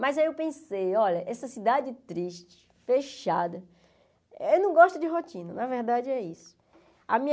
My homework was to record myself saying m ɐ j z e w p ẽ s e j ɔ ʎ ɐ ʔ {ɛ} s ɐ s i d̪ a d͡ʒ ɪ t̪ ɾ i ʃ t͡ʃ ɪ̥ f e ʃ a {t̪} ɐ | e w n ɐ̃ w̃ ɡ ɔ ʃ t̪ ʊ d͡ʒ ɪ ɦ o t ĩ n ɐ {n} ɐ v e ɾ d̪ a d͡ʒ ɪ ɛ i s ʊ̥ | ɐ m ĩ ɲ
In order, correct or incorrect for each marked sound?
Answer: correct, incorrect, correct

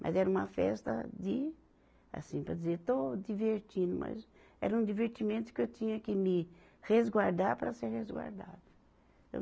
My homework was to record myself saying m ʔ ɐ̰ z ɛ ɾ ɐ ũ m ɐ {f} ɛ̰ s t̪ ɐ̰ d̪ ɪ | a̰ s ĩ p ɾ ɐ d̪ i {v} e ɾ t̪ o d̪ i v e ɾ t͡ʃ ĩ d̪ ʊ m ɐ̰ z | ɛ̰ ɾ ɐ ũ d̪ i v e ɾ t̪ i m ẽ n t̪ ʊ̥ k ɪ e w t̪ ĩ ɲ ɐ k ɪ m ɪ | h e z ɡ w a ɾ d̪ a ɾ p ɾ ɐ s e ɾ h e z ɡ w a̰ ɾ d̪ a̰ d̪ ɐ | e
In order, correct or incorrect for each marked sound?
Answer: correct, incorrect

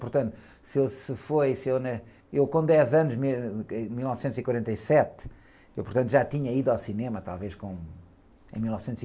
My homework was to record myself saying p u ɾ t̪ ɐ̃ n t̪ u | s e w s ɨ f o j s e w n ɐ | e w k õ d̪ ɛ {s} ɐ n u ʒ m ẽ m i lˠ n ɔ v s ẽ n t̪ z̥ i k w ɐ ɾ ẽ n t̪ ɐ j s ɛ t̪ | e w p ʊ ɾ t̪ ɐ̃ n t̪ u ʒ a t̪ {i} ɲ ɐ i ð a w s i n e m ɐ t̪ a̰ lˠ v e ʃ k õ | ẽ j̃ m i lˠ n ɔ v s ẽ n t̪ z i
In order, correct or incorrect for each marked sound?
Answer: incorrect, correct

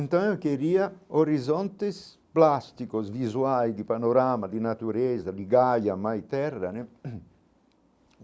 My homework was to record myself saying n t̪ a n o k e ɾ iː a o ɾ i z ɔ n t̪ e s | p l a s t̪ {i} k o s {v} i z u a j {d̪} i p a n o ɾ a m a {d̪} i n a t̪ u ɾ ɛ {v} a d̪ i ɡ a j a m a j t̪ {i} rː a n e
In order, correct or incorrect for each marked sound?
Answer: correct, correct, correct, correct, incorrect, incorrect

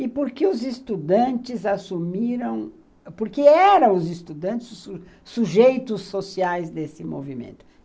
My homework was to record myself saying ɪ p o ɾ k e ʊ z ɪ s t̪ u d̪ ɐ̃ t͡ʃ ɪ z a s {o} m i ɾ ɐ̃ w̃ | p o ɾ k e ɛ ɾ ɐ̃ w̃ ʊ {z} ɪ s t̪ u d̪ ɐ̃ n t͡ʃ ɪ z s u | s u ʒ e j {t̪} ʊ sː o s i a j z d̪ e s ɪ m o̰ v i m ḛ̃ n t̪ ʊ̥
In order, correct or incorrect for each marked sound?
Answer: incorrect, correct, correct

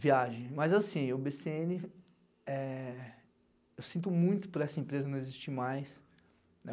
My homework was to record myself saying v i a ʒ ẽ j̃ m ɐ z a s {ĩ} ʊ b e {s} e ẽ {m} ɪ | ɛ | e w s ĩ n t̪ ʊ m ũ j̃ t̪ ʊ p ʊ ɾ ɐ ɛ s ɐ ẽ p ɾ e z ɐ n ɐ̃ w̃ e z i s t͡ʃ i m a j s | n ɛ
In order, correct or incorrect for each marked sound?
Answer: correct, correct, incorrect

